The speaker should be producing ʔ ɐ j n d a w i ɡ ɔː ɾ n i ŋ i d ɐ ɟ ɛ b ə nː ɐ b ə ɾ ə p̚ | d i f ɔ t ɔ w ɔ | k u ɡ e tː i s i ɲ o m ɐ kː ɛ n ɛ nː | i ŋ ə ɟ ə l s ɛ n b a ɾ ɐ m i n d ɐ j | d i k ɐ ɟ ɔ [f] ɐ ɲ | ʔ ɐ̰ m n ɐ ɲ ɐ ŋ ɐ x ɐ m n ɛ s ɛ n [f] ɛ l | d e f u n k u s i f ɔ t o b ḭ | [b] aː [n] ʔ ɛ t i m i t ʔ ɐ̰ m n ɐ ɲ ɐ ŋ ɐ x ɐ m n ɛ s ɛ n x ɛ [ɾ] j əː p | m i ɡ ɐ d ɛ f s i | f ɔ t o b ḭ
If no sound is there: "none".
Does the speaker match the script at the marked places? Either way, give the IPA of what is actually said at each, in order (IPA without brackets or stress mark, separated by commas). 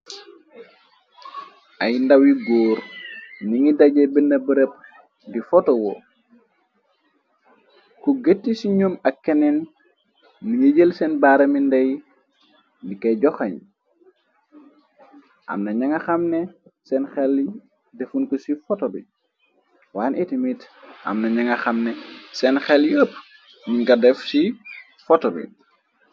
x, x, w, n, l